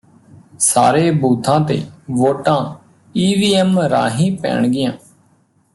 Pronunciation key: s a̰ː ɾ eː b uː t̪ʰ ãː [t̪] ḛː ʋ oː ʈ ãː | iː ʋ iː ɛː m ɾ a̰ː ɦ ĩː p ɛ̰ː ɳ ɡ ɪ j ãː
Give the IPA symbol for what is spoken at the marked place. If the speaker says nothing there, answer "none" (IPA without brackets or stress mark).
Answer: t̪